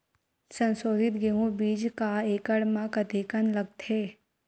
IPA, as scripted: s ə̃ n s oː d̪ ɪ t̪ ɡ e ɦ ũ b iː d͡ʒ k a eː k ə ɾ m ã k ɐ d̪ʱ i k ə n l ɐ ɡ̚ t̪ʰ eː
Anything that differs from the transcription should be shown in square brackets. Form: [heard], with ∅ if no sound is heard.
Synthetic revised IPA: s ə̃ n s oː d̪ ɪ t̪ ɡ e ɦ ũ b iː d͡ʒ k a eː k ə [ɽ] m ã k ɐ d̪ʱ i k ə n l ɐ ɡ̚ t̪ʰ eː